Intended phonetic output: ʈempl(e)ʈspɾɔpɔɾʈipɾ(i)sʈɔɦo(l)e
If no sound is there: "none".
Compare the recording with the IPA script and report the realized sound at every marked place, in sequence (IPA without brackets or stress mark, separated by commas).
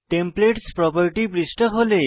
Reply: e, i, l